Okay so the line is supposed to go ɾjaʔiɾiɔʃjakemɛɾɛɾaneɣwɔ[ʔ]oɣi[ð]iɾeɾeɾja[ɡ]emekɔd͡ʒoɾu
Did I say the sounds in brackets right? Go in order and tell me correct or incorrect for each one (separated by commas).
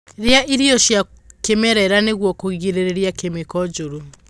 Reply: incorrect, incorrect, incorrect